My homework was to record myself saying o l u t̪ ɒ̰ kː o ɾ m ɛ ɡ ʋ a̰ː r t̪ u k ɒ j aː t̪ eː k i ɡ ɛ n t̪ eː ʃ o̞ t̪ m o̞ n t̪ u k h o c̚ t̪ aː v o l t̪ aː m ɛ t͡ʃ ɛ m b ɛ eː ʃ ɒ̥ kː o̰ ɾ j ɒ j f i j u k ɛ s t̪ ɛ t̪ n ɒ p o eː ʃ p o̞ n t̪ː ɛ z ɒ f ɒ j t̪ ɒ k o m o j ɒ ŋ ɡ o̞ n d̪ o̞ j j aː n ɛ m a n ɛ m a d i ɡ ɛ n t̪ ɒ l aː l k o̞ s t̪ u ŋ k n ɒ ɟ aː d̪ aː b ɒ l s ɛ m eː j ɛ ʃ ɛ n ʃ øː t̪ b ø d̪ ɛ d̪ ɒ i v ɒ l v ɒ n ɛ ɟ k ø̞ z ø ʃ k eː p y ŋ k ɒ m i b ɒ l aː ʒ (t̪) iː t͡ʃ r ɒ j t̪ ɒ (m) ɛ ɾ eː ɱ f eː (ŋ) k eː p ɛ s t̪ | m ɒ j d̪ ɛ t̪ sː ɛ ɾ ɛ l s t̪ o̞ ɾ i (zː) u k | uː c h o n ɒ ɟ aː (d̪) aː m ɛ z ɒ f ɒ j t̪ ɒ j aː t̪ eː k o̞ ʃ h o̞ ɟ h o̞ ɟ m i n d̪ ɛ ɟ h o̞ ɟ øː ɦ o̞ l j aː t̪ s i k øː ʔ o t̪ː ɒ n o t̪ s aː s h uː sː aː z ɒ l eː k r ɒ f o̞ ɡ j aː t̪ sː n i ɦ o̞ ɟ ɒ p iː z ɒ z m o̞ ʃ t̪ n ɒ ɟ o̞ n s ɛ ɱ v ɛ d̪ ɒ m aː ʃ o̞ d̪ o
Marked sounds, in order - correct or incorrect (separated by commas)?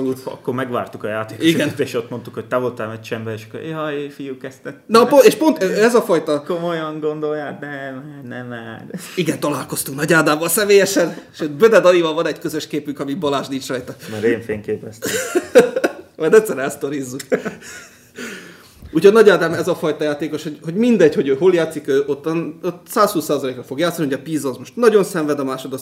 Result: incorrect, correct, correct, correct, correct